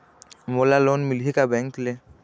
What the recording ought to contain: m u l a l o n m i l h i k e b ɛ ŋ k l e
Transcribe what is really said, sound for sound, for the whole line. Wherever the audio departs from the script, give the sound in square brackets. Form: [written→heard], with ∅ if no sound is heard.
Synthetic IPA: m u l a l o n m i l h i k [e→a] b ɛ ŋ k l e